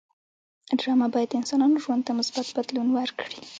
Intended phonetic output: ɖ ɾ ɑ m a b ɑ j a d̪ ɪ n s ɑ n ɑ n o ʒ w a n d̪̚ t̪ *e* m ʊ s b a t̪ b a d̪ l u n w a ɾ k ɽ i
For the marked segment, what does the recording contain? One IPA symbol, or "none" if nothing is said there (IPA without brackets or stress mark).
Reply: a